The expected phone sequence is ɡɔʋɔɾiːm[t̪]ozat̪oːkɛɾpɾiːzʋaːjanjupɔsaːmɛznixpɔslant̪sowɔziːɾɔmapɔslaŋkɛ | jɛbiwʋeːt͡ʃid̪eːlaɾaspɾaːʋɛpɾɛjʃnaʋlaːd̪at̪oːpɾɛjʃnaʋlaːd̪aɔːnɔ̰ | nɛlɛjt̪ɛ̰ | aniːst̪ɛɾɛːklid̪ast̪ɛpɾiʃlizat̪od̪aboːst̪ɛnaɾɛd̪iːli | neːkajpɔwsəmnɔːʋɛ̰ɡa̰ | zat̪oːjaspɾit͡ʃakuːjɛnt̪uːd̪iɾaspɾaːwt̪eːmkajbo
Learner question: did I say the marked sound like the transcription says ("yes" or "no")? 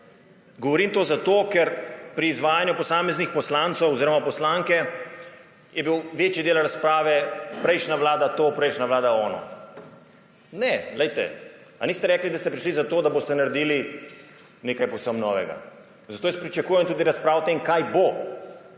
yes